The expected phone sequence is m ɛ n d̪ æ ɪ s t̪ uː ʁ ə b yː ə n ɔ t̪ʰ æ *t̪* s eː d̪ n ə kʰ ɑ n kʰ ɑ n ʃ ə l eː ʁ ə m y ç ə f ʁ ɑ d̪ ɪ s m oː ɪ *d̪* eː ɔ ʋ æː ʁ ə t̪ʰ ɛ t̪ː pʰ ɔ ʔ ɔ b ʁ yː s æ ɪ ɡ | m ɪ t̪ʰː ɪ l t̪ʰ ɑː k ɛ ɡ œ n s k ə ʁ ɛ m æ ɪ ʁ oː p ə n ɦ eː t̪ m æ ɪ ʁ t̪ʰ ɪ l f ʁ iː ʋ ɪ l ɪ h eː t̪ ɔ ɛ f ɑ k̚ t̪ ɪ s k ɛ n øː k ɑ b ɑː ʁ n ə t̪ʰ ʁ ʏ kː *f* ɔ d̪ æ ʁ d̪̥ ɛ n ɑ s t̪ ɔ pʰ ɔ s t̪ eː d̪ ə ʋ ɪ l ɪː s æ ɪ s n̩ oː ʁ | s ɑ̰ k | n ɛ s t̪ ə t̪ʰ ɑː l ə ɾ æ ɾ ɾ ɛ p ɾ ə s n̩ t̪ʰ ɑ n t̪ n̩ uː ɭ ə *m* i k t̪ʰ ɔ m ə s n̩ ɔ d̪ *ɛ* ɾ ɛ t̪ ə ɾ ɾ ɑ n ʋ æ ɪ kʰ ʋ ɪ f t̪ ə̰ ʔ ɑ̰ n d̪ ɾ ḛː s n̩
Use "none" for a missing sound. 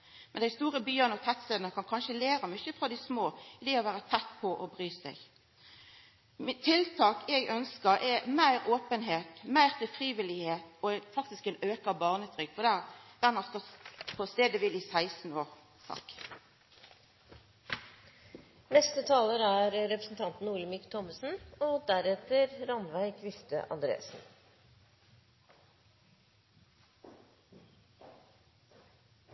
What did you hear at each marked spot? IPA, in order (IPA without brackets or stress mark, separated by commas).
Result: t̪, d̪, f, m, æ